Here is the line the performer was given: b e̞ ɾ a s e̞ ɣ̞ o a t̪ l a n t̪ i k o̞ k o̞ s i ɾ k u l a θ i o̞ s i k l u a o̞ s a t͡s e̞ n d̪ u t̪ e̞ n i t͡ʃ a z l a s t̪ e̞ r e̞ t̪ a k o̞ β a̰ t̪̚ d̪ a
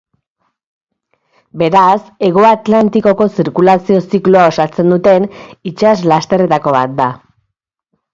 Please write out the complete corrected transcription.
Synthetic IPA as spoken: b e̞ ɾ a s e̞ ɣ̞ o a t̪ l a n t̪ i k o̞ k o̞ s i ɾ k u l a s i o̞ s i k l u a o̞ s a t͡s e̞ n d̪ u t̪ e̞ n i t͡ʃ a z l a s t̪ e̞ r e̞ t̪ a k o̞ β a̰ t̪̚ d̪ a